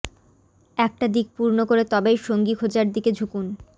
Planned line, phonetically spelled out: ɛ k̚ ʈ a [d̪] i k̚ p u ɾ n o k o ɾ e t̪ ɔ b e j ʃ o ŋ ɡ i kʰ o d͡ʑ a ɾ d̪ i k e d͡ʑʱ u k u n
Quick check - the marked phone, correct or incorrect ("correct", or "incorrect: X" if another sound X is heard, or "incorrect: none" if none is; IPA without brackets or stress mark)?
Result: correct